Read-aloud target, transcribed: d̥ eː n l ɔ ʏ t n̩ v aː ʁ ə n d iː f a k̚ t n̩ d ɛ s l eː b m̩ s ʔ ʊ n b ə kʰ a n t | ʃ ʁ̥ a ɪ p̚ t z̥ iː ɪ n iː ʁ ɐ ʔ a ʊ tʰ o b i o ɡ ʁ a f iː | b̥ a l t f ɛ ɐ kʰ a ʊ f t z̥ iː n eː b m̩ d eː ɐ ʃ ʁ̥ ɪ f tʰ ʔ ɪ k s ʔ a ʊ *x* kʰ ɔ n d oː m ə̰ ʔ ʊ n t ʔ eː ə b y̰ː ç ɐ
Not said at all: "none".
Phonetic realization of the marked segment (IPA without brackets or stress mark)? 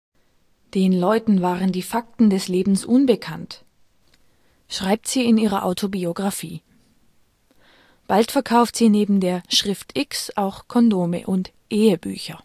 x